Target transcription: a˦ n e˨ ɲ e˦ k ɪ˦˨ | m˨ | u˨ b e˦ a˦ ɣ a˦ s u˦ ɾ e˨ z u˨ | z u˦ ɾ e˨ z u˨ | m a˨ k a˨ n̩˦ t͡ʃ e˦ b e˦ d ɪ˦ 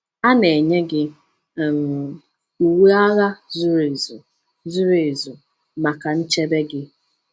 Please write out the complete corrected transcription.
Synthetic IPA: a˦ n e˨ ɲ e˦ ɡ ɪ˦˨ | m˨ | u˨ w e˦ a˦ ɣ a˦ z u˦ ɾ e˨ z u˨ | z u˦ ɾ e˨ z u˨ | m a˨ k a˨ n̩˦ t͡ʃ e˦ b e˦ ɡ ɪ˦

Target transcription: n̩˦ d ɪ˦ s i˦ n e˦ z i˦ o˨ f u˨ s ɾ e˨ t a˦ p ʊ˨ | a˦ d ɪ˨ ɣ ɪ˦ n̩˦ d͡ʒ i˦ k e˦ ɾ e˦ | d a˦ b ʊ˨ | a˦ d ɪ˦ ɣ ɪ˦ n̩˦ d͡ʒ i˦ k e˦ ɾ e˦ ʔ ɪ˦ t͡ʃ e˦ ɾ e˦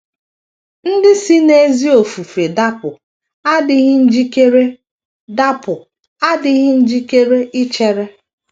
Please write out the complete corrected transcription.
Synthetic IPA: n̩˦ d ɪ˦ s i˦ n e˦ z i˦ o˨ f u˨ f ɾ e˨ d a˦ p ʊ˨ | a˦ d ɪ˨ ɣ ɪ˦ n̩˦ d͡ʒ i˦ k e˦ ɾ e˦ | d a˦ p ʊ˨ | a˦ d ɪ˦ ɣ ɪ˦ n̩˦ d͡ʒ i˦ k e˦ ɾ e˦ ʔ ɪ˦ t͡ʃ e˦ ɾ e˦

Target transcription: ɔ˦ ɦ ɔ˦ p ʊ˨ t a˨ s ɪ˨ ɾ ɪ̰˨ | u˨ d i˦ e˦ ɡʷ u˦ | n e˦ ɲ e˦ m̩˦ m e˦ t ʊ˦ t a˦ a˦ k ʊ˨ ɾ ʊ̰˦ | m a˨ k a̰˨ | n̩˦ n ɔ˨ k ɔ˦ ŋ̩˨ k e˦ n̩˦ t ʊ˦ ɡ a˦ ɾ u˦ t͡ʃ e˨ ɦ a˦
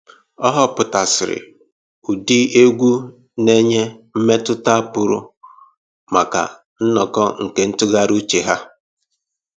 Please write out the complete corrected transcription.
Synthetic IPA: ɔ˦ ɦ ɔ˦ p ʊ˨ t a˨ s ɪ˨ ɾ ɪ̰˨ | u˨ d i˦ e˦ ɡʷ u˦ | n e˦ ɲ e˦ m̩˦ m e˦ t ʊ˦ t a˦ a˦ p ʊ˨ ɾ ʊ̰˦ | m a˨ k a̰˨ | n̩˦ n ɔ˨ k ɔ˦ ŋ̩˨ k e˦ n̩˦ t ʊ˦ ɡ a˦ ɾ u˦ t͡ʃ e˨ ɦ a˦

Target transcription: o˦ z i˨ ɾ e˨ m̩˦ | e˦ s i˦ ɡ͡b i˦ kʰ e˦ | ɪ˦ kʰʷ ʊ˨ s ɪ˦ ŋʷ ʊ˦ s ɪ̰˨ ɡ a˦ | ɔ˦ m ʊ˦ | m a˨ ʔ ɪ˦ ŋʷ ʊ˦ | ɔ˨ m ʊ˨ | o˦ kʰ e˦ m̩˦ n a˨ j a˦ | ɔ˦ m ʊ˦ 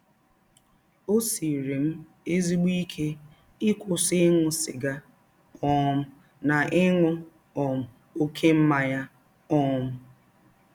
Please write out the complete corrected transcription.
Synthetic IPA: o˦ s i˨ ɾ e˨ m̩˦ | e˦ z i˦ ɡ͡b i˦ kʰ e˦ | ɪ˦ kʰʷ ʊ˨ s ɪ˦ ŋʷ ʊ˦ s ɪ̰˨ ɡ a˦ | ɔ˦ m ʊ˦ | n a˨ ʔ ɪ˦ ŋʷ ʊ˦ | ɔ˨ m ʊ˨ | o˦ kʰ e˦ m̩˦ m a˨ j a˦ | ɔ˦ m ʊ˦

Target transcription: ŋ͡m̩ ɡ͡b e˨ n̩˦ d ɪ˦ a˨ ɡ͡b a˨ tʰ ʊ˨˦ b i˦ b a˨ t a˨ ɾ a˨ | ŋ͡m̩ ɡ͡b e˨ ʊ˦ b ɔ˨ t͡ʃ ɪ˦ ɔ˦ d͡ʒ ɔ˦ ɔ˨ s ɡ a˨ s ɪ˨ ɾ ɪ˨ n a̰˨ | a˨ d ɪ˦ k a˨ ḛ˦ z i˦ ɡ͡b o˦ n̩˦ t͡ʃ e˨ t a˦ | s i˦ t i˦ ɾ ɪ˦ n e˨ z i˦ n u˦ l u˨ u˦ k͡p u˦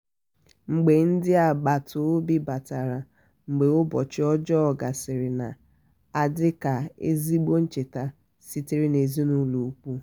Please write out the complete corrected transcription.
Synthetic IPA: ŋ͡m̩ ɡ͡b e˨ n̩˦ d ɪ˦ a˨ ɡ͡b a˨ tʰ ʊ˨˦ b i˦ b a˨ t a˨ ɾ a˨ | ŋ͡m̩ ɡ͡b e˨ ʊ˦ b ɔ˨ t͡ʃ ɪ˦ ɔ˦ d͡ʒ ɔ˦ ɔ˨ ɡ a˨ s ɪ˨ ɾ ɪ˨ n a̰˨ | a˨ d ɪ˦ k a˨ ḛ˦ z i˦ ɡ͡b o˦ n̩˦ t͡ʃ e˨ t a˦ | s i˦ t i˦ ɾ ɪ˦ n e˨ z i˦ n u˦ l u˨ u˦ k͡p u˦

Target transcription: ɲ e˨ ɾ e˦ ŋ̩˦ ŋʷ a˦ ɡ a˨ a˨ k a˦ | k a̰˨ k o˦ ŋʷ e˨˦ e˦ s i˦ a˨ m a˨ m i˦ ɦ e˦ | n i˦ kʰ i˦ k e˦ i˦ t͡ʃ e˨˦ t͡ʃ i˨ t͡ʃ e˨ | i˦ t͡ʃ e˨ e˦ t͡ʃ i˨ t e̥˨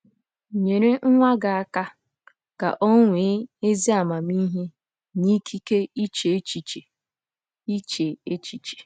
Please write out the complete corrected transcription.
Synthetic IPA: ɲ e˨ ɾ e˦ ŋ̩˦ ŋʷ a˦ ɡ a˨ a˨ k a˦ | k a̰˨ ʔ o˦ ŋʷ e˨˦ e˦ z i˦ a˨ m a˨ m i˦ ɦ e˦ | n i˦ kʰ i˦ k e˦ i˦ t͡ʃ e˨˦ t͡ʃ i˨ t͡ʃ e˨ | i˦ t͡ʃ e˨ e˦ t͡ʃ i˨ t͡ʃ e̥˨

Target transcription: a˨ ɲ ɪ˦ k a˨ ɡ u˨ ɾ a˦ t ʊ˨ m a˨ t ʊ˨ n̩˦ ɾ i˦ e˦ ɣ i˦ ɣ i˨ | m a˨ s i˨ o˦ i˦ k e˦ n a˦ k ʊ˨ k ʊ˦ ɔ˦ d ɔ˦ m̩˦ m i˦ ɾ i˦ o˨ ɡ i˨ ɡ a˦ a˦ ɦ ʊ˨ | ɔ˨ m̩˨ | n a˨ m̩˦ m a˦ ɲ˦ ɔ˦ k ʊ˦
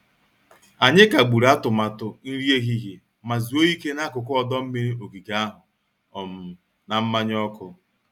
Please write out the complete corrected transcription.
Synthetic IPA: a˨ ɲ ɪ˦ k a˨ ɡ͡b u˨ ɾ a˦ t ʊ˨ m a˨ t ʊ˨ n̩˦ ɾ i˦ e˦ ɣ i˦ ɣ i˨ | m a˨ z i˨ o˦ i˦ k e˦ n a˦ k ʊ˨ k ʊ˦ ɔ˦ d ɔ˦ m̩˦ m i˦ ɾ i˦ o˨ ɡ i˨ ɡ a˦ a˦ ɦ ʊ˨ | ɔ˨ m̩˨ | n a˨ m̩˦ m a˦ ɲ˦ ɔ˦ k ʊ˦

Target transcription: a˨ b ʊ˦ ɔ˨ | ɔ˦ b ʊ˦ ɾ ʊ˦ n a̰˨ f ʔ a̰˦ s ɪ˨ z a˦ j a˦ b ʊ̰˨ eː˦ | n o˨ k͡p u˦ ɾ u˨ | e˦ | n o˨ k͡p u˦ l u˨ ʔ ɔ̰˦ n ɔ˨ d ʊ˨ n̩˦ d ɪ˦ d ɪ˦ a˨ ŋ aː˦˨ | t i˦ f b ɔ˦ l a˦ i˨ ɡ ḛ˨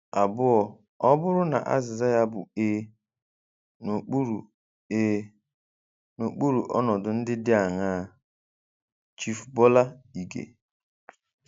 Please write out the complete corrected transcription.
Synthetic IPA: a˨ b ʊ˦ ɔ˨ | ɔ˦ b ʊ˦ ɾ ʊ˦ n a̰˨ ʔ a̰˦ z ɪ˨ z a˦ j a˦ b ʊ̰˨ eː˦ | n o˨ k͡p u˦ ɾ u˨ | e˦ | n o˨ k͡p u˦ ɾ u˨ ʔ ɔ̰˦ n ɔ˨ d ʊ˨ n̩˦ d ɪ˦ d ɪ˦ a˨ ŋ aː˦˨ | t͡ʃ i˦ f b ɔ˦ l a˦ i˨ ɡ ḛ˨

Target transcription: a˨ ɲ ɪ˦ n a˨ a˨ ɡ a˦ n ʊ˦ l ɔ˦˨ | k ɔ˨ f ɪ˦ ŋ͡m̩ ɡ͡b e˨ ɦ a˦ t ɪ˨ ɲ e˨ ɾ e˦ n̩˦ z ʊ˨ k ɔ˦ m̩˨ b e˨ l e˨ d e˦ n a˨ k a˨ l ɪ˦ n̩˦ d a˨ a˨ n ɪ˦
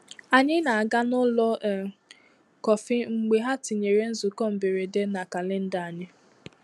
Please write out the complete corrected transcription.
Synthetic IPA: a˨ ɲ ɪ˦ n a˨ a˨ ɡ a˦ n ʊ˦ l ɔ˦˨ | k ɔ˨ f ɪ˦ ŋ͡m̩ ɡ͡b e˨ ɦ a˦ t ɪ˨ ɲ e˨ ɾ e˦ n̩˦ z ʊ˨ k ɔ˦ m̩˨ b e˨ ɾ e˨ d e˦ n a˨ k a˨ l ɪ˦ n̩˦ d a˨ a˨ ɲ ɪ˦

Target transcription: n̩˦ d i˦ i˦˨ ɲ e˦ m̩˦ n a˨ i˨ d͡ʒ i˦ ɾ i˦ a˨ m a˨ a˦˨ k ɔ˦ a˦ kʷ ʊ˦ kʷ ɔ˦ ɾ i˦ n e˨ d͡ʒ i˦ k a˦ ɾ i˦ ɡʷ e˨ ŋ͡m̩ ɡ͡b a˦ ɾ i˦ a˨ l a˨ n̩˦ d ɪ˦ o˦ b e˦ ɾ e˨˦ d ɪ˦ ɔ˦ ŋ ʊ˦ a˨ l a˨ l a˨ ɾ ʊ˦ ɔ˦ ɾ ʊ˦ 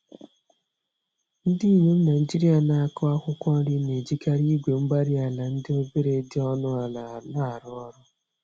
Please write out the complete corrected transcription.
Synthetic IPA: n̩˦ d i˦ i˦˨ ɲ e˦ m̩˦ n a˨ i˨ d͡ʒ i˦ ɾ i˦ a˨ n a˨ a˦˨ k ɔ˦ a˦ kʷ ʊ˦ kʷ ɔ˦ ɾ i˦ n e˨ d͡ʒ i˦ k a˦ ɾ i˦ ɡʷ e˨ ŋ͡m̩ ɡ͡b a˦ ɾ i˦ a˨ l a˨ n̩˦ d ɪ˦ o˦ b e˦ ɾ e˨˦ d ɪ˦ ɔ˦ n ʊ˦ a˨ l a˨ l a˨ ɾ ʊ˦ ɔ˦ ɾ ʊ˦

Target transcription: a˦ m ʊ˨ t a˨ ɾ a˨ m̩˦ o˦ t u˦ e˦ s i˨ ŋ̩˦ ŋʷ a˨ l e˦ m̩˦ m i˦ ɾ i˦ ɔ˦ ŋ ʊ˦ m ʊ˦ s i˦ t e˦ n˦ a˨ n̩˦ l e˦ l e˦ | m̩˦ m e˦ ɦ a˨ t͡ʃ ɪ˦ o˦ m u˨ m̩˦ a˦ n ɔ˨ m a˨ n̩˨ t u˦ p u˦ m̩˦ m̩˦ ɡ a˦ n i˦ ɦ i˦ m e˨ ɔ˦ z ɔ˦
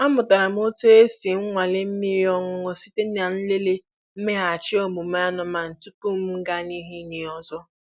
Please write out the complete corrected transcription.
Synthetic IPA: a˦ m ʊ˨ t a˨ ɾ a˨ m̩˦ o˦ t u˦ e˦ s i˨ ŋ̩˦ ŋʷ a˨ l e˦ m̩˦ m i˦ ɾ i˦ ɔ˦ ŋ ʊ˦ ŋ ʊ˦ s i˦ t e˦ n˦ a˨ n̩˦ l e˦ l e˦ | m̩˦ m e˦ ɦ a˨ t͡ʃ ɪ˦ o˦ m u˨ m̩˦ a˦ n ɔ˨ m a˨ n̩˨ t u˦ p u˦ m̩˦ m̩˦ ɡ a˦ n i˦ ɦ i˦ n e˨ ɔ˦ z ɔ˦

